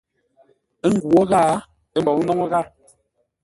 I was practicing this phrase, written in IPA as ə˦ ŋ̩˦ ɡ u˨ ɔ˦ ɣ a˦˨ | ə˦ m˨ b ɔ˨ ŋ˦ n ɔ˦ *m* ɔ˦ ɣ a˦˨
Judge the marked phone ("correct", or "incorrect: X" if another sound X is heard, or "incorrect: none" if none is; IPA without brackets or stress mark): incorrect: ŋ